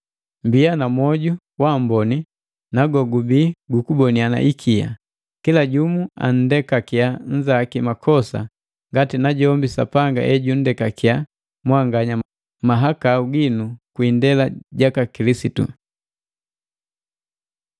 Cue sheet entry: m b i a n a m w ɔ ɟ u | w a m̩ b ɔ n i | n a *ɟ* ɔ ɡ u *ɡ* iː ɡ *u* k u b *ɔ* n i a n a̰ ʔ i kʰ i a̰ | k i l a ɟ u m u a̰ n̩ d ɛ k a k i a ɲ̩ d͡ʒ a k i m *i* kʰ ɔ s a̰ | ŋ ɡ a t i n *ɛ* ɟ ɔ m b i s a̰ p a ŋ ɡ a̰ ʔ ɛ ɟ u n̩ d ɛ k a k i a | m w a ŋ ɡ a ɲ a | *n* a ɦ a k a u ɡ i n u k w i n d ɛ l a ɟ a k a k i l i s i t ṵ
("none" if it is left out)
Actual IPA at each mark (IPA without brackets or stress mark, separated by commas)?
ɡ, b, u, ɔ, a, a, m